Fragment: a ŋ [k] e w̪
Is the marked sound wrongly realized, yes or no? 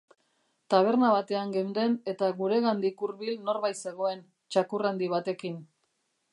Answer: yes